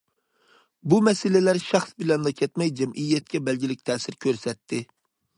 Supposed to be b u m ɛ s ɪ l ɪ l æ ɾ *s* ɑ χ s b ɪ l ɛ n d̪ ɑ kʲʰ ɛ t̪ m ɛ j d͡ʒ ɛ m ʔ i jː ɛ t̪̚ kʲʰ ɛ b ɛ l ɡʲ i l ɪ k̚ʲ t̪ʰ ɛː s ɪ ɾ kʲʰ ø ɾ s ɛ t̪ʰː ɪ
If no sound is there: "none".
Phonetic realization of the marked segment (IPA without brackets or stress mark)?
ʃ